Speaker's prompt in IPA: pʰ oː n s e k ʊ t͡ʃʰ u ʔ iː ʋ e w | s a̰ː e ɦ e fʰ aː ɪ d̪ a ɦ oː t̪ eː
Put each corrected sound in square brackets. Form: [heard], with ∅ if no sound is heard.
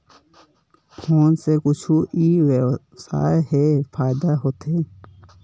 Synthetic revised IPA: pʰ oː n s e k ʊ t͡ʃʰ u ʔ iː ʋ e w | s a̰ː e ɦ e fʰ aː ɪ d̪ a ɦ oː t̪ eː